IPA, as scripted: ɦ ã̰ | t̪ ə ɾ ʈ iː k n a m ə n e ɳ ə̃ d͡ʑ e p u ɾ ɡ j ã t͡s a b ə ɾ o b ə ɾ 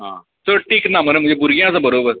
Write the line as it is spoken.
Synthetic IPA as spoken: ɦ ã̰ | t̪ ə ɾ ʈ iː k n a m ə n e m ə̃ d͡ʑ e b u ɾ ɡ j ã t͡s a b ə ɾ o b ə ɾ